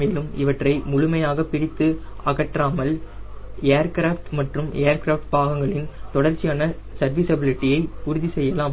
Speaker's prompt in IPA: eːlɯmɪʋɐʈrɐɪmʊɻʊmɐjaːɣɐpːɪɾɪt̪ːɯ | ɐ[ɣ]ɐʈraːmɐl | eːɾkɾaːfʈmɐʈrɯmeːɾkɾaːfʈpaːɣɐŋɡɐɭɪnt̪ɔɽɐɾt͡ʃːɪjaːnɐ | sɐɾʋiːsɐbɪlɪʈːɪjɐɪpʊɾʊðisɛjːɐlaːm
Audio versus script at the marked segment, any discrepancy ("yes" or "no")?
no